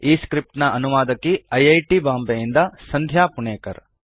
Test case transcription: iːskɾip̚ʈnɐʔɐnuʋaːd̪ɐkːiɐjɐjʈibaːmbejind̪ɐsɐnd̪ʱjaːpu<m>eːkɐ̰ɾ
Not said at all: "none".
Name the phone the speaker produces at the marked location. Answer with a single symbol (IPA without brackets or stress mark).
ɳ